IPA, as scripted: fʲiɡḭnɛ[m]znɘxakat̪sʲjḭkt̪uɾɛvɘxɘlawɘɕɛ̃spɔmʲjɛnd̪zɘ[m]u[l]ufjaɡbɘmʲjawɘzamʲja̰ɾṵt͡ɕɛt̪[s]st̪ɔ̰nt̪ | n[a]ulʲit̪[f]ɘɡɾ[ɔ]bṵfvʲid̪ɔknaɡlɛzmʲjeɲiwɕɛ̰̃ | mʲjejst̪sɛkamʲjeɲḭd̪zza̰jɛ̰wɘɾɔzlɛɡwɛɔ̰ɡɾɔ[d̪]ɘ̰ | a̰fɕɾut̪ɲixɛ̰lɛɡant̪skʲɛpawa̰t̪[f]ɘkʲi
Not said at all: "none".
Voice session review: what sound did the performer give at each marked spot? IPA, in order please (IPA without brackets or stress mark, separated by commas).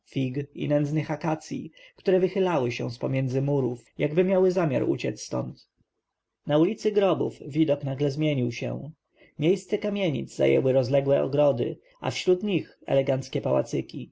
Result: n, m, ɾ, s, a, s, ɔ, d̪, s